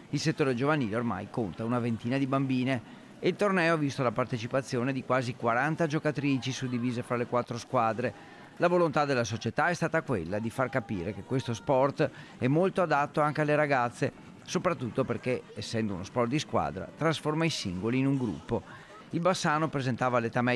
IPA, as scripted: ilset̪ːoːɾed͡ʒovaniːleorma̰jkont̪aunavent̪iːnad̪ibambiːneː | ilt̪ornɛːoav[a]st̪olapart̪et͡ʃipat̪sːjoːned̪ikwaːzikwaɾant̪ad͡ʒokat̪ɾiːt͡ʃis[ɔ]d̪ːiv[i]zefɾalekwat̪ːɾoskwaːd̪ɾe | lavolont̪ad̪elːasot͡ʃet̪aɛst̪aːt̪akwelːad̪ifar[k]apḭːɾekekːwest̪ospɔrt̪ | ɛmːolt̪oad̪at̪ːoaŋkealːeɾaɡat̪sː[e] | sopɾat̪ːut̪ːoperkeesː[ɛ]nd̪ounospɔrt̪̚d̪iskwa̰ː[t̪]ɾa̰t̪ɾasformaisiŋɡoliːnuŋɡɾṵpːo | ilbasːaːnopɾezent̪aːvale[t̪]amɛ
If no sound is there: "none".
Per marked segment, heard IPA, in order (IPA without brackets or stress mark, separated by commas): i, u, iː, k, e, ɛ, d̪, t̪